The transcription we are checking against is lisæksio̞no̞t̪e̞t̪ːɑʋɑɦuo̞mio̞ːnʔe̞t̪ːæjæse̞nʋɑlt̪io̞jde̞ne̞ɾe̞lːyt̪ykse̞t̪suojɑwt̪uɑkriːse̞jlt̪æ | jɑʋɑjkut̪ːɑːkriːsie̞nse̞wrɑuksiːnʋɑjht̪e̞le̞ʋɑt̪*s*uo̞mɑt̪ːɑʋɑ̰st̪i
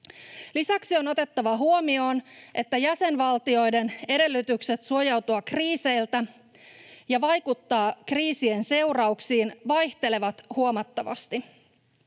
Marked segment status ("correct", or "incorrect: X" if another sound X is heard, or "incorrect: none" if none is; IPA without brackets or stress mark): incorrect: h